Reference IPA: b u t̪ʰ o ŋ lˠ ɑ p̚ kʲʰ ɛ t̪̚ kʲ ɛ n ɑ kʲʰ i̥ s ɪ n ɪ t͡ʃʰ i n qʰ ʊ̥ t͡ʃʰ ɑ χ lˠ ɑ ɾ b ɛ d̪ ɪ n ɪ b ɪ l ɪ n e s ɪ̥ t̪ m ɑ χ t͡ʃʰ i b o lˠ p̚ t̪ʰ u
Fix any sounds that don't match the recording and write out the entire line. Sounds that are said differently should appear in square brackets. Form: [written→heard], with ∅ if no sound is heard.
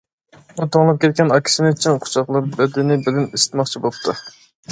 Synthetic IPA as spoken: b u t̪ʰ o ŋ lˠ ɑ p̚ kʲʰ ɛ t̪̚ kʲ ɛ n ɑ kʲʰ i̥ s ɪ n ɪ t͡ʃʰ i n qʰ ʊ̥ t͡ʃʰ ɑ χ lˠ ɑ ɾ b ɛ d̪ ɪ n ɪ b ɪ l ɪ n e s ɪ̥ t̪ m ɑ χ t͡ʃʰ i b o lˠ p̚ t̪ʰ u